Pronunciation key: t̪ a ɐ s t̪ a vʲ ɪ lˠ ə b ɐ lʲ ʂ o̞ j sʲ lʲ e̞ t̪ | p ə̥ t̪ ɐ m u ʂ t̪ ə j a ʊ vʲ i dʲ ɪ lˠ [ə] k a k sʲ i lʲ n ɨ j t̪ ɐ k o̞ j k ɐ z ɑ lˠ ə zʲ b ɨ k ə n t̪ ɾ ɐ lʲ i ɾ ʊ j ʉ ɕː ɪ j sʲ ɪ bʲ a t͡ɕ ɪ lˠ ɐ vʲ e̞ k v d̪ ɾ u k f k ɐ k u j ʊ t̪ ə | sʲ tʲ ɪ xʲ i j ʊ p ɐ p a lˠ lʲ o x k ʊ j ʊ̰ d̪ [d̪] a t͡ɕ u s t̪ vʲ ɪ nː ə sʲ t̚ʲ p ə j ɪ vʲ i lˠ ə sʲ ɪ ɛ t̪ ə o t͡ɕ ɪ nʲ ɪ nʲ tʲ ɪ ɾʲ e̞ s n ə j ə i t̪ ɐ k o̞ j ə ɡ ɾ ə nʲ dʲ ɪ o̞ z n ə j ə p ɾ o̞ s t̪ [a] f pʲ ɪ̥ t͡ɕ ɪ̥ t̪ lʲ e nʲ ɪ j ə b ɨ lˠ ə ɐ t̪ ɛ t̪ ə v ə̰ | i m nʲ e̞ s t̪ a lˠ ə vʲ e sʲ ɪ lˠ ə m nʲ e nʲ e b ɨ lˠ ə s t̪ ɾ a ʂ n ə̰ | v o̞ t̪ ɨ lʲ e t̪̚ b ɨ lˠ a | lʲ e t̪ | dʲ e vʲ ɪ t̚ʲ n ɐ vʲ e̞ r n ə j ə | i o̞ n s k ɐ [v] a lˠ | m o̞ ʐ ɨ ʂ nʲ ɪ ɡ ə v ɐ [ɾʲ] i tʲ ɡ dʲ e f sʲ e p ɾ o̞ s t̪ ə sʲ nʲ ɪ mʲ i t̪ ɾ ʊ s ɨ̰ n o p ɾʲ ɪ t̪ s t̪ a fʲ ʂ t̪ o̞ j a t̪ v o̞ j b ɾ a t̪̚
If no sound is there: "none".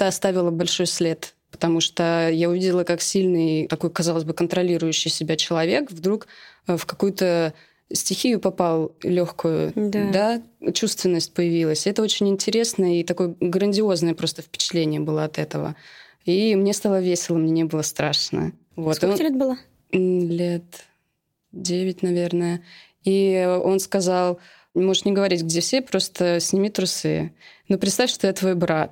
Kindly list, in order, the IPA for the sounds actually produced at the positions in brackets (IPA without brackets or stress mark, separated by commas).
ə, d̪, ə, z, ɾʲ